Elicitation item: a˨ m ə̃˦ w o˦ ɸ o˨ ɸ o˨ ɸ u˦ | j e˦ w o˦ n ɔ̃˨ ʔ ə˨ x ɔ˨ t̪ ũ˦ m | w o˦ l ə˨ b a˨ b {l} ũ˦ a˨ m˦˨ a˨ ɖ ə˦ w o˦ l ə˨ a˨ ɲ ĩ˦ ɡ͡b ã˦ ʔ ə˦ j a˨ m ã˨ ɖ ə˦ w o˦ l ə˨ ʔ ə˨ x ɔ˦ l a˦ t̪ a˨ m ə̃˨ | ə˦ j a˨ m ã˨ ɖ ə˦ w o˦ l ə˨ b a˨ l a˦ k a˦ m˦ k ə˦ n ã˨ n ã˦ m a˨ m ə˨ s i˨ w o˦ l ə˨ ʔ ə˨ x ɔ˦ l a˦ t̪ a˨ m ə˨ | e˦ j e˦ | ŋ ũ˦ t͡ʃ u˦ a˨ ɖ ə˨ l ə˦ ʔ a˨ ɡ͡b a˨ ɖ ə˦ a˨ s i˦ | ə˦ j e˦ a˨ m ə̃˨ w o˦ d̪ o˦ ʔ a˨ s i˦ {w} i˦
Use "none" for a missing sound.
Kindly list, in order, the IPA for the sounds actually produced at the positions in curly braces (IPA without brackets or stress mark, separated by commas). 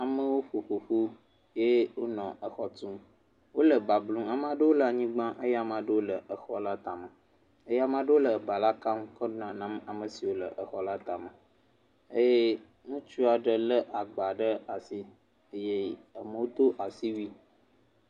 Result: l, w